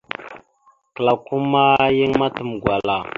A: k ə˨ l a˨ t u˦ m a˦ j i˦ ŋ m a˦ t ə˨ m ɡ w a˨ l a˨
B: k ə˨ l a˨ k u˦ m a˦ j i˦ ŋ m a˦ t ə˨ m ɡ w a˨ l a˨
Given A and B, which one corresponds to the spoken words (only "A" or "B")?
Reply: B